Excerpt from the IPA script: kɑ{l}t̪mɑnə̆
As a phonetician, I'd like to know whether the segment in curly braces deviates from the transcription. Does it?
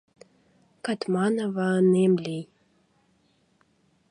yes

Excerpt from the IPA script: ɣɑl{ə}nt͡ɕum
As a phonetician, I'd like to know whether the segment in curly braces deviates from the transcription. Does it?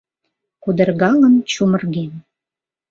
no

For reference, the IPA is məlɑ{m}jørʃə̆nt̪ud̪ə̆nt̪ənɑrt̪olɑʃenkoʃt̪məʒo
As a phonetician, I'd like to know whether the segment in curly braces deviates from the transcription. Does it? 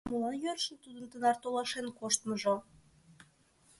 yes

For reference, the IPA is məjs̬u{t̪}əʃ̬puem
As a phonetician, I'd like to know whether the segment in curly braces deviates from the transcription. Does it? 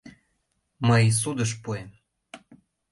yes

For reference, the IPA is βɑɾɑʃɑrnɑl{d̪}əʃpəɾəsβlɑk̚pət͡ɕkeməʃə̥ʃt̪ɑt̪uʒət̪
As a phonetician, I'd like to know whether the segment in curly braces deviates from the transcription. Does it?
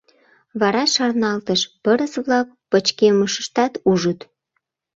yes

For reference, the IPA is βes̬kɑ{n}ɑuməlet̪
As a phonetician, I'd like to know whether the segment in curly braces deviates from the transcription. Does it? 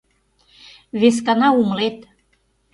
no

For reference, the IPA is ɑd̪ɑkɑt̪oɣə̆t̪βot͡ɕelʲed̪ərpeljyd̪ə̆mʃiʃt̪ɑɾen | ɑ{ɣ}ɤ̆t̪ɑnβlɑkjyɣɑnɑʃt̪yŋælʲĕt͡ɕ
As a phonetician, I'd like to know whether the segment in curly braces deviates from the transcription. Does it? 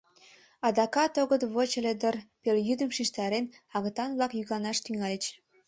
no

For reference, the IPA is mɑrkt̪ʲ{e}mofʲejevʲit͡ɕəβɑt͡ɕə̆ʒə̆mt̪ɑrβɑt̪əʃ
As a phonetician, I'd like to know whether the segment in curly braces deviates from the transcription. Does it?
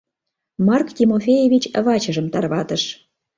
yes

